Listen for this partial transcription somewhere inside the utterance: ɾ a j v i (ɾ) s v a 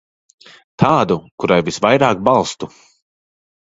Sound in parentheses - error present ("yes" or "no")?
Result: yes